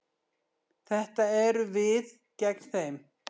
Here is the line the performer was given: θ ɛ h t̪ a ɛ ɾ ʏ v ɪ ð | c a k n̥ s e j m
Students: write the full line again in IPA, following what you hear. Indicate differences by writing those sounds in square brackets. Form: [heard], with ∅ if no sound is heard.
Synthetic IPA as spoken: θ ɛ h t̪ a ɛ ɾ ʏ v ɪ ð | c [ɛ] k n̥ [θ] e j m